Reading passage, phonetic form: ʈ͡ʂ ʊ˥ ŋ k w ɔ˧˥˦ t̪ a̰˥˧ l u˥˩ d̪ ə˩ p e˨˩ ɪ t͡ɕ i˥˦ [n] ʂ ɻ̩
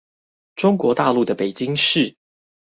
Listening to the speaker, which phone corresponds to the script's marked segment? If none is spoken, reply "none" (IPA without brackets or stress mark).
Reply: ŋ